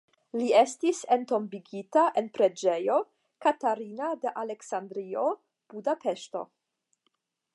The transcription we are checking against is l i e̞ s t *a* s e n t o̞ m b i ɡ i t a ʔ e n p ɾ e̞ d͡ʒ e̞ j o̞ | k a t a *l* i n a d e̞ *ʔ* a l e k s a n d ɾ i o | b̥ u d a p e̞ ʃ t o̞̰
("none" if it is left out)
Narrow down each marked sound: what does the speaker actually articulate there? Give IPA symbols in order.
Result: i, ɾ, ʔ

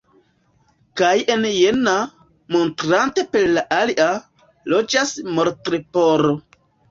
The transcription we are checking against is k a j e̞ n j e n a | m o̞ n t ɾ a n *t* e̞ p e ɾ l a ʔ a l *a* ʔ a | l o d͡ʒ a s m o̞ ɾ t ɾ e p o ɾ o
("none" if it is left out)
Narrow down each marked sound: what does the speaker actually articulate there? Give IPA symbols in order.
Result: t, i

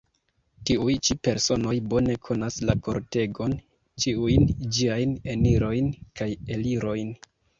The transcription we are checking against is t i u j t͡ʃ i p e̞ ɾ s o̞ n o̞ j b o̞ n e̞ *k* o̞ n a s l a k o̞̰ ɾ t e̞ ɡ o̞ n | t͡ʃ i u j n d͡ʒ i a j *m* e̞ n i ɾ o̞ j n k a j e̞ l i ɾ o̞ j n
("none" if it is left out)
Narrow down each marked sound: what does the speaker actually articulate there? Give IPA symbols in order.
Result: kʰ, n

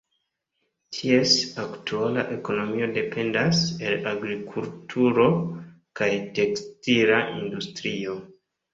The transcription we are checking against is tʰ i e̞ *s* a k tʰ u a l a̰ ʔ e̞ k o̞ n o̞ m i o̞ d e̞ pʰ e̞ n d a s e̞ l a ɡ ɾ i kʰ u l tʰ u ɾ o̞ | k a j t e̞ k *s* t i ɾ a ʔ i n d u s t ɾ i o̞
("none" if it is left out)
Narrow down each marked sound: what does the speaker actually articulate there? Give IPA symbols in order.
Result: s, s

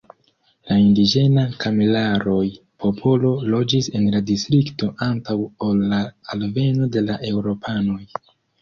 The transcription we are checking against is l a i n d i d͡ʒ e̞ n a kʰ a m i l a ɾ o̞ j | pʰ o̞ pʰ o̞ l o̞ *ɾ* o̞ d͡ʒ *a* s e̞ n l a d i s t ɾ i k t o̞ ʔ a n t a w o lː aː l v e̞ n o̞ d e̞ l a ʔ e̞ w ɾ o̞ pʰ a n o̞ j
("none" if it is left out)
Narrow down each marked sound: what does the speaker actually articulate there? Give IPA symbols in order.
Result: l, i

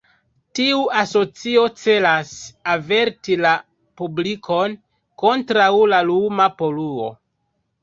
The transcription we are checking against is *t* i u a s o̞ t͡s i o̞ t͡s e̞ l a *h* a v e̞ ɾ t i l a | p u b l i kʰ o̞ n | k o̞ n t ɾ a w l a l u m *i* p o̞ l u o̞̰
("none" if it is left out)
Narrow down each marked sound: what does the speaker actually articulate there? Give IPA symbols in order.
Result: t, s, a

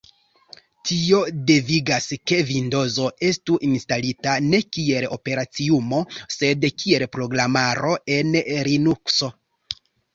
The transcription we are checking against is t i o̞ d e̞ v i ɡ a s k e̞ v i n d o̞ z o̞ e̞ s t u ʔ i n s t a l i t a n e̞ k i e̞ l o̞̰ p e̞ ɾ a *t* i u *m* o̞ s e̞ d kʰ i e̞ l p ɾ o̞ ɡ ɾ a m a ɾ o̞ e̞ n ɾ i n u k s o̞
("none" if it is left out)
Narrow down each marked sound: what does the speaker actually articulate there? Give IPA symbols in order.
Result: t͡s, m

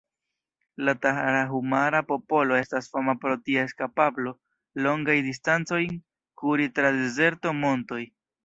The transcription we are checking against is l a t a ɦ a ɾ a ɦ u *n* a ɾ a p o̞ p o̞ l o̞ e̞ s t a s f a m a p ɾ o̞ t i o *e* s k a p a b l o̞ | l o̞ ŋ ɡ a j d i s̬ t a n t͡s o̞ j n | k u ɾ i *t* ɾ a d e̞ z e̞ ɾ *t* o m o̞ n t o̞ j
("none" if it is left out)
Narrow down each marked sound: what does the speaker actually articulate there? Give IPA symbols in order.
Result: m, e, t, t

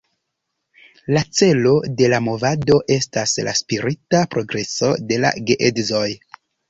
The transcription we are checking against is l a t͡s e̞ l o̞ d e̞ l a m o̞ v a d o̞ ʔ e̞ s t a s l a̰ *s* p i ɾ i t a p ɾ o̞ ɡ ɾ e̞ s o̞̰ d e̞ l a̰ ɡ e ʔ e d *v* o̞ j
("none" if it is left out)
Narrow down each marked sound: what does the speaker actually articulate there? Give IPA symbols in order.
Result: s, z

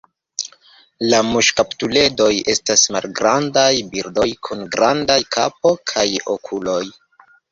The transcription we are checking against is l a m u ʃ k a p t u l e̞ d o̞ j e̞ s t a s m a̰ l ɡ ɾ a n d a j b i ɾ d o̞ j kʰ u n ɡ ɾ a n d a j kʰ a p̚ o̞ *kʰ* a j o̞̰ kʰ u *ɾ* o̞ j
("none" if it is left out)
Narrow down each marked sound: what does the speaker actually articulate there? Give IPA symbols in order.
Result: kʰ, l

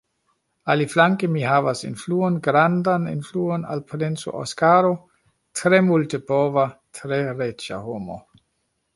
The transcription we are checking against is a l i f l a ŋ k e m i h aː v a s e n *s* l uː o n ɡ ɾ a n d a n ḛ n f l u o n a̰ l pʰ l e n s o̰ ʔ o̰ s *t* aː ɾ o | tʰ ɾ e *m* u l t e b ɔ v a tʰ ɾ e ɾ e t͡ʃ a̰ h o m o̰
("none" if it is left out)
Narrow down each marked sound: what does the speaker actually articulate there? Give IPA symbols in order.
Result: f, k, m

